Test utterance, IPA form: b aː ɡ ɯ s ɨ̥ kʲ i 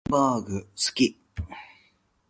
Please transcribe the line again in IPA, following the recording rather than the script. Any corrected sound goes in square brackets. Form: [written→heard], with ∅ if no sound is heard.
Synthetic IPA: b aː ɡ ɯ s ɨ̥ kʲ i

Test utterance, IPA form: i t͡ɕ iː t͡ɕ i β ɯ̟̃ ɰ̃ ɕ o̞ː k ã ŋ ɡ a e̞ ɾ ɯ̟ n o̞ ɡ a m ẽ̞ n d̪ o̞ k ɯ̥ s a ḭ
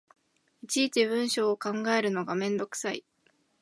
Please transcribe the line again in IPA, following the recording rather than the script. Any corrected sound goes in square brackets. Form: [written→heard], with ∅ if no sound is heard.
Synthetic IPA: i t͡ɕ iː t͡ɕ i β ɯ̟̃ ɰ̃ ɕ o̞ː k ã ŋ ɡ a e̞ ɾ ɯ̟ n o̞ ɡ a m ẽ̞ n d̪ o̞ k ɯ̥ s a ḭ

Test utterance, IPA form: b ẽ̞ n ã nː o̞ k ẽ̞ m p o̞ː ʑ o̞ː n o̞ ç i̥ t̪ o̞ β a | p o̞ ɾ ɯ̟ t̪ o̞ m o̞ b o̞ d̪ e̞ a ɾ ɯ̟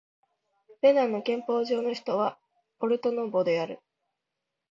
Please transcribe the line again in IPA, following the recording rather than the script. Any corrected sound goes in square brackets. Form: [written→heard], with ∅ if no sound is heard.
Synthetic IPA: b [ẽ̞→e̞] n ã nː o̞ k ẽ̞ m p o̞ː ʑ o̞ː n o̞ ç i̥ t̪ o̞ β a | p o̞ ɾ ɯ̟ t̪ o̞ [m→n] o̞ b o̞ d̪ e̞ a ɾ ɯ̟

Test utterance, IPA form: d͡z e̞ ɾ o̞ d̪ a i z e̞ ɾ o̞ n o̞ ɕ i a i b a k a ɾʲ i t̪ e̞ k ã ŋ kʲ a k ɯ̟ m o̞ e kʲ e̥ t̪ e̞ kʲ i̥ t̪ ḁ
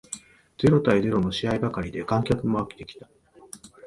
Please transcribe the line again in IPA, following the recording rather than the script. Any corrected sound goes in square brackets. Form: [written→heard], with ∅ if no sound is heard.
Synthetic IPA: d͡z e̞ ɾ o̞ [d̪→t̪] a i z e̞ ɾ o̞ n o̞ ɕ i a i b a k a ɾʲ i [t̪→d̪] e̞ k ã ŋ kʲ a k ɯ̟ m o̞ [e→a] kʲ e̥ t̪ e̞ kʲ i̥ t̪ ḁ

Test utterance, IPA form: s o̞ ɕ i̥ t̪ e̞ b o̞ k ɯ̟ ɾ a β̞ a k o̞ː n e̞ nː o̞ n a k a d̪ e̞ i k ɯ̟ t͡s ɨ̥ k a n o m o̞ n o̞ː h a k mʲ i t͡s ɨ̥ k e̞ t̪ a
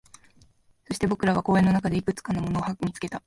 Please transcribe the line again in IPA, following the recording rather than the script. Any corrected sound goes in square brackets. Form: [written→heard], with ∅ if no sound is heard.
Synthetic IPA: s o̞ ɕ i̥ t̪ e̞ b o̞ k ɯ̟ ɾ a β̞ a k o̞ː [n→∅] e̞ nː o̞ n a k a d̪ e̞ i k ɯ̟ t͡s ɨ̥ k a n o m o̞ n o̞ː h a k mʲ i t͡s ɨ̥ k e̞ t̪ a

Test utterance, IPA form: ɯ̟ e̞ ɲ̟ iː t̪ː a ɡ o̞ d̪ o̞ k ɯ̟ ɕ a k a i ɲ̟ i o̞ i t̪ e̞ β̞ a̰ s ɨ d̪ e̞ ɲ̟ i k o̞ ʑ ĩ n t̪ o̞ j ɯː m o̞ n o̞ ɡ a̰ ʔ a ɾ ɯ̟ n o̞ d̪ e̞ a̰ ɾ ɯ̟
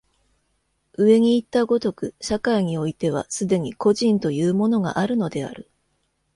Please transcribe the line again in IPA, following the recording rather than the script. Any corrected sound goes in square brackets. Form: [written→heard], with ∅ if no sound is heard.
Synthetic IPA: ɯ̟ e̞ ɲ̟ iː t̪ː a ɡ o̞ [d̪→t̪] o̞ k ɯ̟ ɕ a k a i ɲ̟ i o̞ i t̪ e̞ β̞ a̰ s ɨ d̪ e̞ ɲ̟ i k o̞ ʑ ĩ n t̪ o̞ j ɯː m o̞ n o̞ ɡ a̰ ʔ a ɾ ɯ̟ n o̞ d̪ e̞ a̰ ɾ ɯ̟

